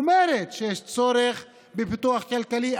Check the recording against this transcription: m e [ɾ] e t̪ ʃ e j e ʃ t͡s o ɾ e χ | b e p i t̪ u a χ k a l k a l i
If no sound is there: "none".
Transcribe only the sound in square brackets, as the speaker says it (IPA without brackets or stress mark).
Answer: ɾ